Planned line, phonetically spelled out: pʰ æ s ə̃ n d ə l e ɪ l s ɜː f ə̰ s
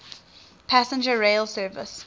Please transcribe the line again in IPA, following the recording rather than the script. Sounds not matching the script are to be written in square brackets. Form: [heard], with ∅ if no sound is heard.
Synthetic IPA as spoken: pʰ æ s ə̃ n [d͡ʒ] ə [ɹ] e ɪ l s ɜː [v] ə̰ s